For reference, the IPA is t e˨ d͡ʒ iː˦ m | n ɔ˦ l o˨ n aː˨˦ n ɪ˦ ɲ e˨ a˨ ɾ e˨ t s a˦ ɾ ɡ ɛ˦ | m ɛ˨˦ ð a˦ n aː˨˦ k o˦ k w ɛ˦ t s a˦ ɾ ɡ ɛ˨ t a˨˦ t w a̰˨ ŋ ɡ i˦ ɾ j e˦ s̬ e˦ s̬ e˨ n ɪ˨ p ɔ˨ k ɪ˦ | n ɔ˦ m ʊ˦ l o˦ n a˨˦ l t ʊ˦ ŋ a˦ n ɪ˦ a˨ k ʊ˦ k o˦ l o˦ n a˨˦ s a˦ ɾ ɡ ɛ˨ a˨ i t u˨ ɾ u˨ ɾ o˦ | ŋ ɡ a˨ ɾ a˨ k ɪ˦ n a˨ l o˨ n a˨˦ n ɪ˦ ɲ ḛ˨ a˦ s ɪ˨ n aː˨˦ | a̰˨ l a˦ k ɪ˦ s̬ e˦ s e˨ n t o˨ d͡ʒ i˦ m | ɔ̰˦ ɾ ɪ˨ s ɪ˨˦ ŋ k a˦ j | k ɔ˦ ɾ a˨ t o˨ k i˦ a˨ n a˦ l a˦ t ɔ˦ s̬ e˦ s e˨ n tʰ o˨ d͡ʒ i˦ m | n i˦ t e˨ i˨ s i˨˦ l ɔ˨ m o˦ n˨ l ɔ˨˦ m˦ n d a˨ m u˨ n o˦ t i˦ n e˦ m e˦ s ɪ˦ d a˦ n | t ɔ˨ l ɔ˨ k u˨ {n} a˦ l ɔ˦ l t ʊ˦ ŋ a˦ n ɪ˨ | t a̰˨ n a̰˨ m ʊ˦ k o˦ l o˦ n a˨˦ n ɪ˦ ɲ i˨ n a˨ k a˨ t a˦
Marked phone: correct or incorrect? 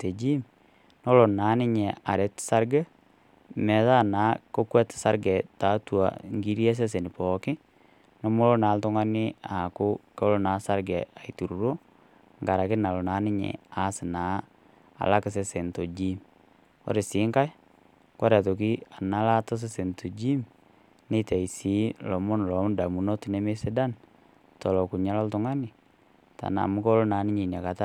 incorrect: ɲ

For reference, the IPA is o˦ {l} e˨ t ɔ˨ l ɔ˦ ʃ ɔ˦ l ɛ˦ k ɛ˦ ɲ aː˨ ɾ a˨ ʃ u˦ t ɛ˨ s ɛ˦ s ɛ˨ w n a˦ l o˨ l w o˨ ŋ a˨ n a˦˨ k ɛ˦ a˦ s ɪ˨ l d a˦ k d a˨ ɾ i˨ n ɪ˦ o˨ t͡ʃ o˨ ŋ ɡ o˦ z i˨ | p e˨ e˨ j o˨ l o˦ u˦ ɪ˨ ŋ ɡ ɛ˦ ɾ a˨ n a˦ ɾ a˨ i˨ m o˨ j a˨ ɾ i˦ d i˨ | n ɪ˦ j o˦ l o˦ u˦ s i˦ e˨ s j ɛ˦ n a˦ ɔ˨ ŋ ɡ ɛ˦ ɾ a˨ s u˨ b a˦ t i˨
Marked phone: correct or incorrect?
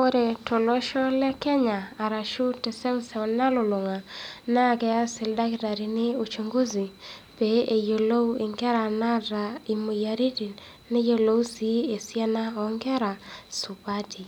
incorrect: ɾ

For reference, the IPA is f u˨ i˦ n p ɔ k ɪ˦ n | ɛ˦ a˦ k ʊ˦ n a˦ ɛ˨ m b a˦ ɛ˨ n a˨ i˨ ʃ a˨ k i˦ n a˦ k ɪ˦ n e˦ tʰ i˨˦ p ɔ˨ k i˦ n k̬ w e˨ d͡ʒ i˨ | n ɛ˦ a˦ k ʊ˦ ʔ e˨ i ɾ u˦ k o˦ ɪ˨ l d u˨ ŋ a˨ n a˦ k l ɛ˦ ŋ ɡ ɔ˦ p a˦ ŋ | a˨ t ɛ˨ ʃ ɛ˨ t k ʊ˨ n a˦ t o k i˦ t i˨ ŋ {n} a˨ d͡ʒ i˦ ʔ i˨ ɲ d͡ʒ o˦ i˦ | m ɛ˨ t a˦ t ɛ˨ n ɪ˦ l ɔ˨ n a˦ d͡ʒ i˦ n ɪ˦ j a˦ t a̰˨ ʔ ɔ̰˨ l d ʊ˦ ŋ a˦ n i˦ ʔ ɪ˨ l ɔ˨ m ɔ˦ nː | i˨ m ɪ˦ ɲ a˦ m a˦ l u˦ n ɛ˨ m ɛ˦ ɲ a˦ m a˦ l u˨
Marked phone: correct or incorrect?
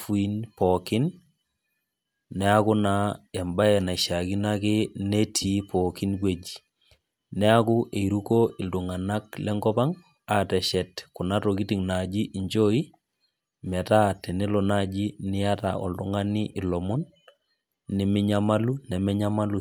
correct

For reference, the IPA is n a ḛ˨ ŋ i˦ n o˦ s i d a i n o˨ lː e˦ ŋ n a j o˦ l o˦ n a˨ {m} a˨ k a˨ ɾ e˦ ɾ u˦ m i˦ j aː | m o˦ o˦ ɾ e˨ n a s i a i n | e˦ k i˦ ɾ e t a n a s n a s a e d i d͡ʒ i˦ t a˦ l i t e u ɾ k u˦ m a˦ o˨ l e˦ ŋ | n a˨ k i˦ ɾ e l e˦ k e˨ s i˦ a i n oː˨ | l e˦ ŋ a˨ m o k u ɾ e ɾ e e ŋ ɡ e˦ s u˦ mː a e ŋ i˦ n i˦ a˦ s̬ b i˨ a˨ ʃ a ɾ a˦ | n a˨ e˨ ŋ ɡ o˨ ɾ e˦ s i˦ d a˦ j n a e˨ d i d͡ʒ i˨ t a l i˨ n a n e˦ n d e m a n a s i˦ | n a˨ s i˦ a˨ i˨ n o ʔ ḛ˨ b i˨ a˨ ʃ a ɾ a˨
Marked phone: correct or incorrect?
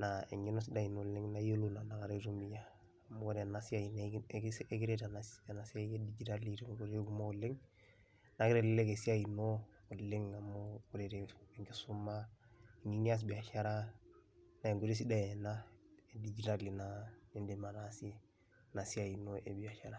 incorrect: n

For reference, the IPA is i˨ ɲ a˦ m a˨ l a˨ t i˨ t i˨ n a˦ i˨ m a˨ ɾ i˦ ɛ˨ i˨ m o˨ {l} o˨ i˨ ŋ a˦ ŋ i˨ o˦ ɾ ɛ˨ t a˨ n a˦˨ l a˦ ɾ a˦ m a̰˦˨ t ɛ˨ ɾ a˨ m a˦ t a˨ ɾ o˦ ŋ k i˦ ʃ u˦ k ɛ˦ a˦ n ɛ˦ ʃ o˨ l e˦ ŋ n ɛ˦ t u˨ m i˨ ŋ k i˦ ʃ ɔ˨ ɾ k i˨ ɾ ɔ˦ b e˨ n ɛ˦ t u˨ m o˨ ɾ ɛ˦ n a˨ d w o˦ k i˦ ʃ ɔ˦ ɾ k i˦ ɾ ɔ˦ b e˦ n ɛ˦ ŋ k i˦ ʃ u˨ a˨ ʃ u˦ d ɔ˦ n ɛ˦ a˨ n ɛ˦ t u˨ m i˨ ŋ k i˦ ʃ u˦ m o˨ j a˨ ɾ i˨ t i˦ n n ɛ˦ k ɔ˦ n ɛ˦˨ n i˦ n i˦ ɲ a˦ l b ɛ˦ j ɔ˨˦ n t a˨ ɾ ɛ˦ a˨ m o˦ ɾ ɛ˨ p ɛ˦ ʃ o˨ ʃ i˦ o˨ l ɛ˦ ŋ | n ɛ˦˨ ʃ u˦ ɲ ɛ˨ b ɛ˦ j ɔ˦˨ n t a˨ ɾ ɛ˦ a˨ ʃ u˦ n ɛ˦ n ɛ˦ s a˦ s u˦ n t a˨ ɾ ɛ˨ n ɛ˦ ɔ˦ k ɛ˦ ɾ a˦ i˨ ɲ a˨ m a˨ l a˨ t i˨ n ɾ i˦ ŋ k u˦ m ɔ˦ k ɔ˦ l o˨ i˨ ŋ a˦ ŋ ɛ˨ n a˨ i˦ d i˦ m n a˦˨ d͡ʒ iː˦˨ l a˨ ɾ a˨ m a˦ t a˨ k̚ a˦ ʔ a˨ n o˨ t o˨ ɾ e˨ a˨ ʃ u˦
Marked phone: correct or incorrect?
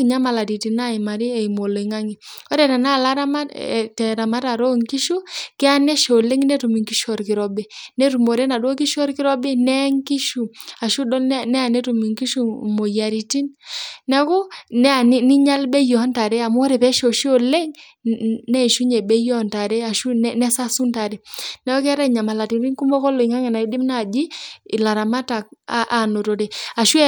correct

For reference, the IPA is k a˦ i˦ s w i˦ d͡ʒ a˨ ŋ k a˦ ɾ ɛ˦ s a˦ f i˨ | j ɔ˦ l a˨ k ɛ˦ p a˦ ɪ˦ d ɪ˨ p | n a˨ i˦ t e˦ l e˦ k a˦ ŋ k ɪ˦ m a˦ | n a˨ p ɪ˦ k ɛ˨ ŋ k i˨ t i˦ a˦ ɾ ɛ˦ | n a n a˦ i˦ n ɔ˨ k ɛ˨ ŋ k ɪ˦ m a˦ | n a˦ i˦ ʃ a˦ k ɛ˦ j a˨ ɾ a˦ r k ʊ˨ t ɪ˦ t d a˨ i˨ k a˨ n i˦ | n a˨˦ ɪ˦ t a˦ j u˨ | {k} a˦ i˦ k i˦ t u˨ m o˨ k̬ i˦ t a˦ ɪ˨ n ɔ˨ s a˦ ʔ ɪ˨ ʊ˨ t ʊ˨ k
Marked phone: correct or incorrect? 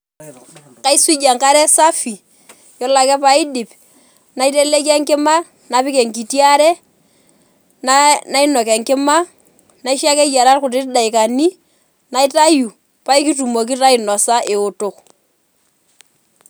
incorrect: p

